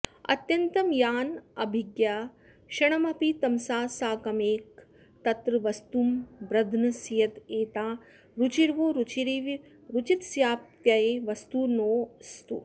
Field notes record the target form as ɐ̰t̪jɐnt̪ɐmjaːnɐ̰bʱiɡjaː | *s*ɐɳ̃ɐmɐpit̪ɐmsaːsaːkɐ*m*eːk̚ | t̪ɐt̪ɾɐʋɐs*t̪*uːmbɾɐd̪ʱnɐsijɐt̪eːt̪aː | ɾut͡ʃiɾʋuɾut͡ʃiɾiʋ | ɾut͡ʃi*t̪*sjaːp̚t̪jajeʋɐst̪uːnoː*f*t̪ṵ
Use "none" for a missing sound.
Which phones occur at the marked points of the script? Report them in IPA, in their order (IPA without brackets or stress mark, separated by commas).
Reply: ʃ, m, t̪, t̪, s